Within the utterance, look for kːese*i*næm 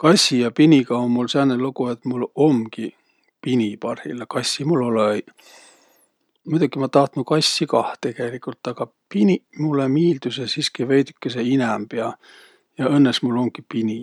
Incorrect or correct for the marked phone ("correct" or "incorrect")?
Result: correct